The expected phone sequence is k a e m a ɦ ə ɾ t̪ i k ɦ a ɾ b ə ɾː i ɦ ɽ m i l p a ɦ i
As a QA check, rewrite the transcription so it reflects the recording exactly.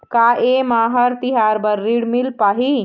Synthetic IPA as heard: k a e m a ɦ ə ɾ t̪ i ɦ a ɾ b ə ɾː i ɽ m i l p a ɦ i